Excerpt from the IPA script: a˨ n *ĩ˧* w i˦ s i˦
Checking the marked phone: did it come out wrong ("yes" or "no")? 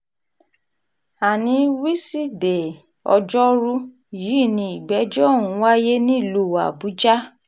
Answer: no